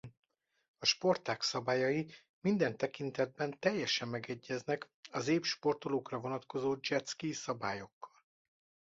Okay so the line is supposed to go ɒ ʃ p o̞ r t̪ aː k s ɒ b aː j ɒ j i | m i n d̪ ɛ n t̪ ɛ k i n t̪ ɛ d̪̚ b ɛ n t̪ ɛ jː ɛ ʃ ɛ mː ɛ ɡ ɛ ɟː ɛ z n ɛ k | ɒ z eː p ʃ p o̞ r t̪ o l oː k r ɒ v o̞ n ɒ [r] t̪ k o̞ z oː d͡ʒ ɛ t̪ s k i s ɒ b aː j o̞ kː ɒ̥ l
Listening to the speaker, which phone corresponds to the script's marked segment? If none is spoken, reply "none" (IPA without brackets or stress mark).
none